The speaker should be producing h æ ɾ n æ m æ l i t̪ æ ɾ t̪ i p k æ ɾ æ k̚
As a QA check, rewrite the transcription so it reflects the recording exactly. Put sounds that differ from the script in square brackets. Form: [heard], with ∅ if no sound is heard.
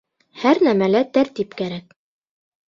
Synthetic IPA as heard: h æ ɾ n æ m æ l [æ] t̪ æ ɾ t̪ i p k æ ɾ æ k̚